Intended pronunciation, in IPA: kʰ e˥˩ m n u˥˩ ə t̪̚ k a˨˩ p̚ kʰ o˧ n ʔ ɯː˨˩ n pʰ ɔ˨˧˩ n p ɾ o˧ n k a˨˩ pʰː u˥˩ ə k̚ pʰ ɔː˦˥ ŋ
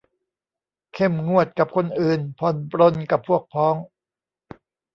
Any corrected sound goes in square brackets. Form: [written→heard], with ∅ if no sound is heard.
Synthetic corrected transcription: kʰ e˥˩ m [n→ŋ] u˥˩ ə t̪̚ k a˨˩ p̚ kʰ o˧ n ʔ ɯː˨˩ n pʰ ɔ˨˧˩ n p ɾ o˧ n k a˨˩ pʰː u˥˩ ə k̚ pʰ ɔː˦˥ ŋ